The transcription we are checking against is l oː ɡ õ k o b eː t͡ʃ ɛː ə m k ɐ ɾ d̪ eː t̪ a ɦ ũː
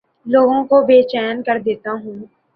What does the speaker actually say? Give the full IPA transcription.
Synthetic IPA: l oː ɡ õ k o b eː t͡ʃ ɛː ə n k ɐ ɾ d̪ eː t̪ a ɦ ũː